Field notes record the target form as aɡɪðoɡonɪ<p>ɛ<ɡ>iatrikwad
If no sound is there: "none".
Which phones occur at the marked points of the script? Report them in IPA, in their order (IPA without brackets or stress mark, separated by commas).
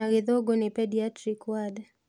p, d